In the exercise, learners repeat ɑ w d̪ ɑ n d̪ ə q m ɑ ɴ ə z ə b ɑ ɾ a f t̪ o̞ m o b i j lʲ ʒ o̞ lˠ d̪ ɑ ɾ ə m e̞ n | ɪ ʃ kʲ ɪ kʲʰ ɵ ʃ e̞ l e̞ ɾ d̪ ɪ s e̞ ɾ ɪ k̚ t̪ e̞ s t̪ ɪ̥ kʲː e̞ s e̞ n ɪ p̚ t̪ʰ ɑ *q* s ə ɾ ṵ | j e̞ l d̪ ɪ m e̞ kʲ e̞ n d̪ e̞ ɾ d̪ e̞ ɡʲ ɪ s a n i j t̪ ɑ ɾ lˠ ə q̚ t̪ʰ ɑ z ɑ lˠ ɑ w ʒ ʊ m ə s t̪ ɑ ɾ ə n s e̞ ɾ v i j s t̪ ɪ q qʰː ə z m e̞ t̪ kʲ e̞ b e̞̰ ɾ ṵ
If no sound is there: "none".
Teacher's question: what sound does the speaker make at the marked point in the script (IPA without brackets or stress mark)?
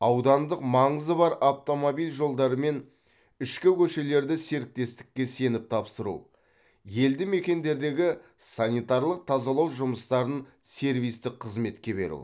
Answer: p